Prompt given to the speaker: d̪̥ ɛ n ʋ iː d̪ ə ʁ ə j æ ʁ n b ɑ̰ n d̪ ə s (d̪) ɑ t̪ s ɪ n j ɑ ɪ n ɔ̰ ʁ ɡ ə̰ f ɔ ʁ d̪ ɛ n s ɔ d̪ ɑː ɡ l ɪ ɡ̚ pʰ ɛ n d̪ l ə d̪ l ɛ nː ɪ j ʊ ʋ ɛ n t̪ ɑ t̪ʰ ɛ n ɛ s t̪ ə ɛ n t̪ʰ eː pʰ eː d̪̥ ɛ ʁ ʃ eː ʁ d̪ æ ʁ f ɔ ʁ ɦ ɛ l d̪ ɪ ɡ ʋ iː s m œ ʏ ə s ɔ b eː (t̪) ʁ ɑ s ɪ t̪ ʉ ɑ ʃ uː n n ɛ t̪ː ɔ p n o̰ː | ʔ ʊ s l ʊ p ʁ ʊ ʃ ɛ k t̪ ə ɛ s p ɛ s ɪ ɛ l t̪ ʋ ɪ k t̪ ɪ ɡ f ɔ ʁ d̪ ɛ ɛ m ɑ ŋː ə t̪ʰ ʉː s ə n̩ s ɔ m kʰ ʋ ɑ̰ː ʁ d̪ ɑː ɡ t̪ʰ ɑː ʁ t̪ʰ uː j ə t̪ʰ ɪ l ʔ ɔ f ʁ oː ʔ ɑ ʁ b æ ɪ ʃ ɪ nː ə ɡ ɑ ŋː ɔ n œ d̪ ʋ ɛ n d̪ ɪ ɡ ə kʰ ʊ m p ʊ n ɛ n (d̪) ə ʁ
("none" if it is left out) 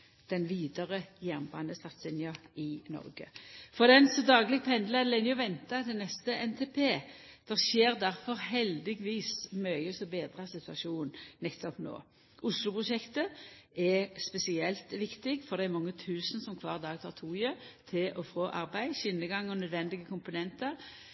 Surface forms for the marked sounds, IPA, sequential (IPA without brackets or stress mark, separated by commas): t̪, d̪, t̪